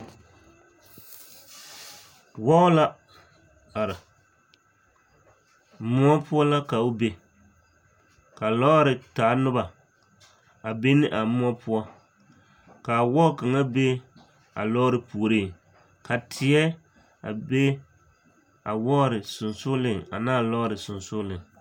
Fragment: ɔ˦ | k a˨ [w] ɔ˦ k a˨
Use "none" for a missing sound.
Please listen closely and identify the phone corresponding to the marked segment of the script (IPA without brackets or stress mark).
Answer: w